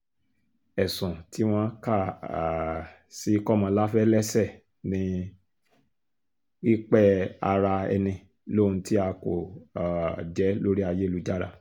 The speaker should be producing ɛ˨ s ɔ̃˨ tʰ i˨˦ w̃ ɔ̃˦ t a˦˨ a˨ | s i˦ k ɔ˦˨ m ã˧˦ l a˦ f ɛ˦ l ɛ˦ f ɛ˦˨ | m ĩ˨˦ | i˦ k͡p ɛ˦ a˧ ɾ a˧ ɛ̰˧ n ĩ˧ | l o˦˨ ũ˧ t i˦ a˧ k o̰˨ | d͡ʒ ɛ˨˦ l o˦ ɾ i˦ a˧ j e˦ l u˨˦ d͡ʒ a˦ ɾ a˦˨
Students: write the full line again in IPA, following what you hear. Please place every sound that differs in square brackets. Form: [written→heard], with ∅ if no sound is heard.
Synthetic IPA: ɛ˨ s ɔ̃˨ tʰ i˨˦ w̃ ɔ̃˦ [t→k] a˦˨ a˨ | s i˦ k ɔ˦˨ m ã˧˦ l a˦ f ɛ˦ l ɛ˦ [f→s] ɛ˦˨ | [m→n] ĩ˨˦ | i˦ k͡p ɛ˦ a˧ ɾ a˧ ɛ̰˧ n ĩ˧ | l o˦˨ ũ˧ t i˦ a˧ k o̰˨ | d͡ʒ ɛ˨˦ l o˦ ɾ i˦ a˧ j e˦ l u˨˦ d͡ʒ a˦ ɾ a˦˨